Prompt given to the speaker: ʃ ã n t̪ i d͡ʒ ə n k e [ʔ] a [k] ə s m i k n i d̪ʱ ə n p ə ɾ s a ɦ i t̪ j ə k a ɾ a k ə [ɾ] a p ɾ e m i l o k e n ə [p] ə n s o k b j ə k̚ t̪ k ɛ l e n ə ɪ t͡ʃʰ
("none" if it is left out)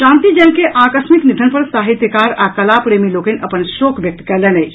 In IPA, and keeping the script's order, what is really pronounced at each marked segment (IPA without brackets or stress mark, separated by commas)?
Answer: ʔ, k, l, p